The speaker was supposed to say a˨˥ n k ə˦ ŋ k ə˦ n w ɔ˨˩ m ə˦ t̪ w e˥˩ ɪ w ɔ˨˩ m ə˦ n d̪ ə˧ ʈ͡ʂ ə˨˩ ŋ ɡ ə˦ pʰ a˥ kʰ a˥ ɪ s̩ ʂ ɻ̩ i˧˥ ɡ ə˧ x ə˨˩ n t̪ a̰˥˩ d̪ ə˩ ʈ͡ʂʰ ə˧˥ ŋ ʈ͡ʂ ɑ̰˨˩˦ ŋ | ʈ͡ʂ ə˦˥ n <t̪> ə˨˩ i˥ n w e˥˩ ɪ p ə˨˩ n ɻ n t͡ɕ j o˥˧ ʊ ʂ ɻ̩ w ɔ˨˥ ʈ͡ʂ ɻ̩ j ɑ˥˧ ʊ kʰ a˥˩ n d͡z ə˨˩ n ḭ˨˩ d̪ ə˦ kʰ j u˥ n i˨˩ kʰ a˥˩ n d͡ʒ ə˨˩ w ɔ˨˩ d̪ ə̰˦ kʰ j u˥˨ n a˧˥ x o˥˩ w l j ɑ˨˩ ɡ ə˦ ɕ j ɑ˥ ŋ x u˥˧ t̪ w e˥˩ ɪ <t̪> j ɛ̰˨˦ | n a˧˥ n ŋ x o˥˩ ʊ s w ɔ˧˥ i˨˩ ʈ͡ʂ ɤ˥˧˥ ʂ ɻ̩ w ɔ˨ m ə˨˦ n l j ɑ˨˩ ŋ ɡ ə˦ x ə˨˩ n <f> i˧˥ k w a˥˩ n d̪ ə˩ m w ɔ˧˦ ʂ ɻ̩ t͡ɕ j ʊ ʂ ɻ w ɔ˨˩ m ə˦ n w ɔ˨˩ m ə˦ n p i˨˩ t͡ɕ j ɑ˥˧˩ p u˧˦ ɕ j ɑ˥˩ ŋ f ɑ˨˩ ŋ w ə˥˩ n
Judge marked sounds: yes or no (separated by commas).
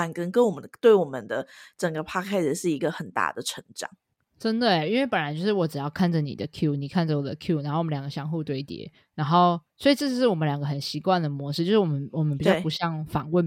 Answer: no, yes, no